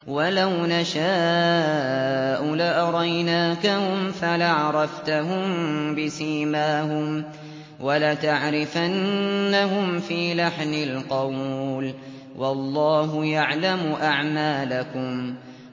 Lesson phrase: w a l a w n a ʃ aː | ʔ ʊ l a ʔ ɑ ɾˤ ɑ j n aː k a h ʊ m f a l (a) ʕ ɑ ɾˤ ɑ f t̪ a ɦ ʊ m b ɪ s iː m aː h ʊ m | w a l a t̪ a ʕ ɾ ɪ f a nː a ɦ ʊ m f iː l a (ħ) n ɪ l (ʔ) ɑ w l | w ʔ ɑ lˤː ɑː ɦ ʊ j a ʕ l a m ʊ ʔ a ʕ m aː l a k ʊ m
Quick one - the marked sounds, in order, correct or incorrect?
correct, correct, incorrect: q

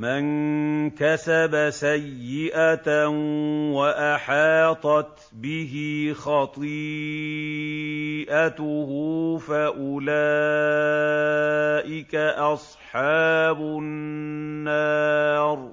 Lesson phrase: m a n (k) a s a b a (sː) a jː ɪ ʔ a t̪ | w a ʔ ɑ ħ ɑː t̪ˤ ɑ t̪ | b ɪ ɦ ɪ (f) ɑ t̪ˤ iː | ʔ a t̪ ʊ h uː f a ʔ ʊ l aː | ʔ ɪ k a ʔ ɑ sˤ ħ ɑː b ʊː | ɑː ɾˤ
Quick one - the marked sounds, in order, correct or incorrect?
correct, incorrect: s, incorrect: x

